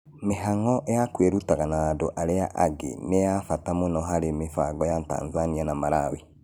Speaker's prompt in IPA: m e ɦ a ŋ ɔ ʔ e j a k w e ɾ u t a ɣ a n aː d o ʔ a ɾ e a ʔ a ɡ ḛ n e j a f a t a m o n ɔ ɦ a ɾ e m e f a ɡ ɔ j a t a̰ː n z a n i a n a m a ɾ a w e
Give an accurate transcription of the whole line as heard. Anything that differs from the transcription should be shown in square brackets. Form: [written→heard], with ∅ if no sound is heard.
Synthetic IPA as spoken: m e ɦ a ŋ ɔ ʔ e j a k w e ɾ u t a ɣ a n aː d o ʔ a ɾ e a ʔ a ɡ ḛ n e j a f a t a m o n ɔ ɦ a ɾ e m e f a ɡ ɔ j a t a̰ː n z a n i a n a m a ɾ a w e